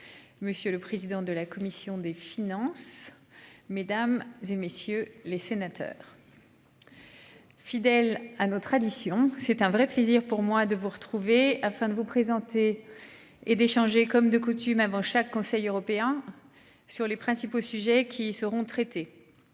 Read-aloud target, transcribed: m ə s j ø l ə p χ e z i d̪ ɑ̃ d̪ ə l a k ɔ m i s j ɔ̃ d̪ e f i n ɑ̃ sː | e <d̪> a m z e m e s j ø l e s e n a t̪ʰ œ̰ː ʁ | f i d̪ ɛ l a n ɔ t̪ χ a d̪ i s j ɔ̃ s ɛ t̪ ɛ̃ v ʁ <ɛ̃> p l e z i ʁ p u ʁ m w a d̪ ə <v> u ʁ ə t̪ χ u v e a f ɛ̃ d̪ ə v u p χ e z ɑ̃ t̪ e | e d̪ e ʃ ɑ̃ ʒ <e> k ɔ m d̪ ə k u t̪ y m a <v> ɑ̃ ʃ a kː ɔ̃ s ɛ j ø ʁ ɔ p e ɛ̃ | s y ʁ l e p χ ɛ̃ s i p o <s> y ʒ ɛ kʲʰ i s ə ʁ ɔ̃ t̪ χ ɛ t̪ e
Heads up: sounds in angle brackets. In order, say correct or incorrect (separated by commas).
correct, incorrect, correct, correct, correct, correct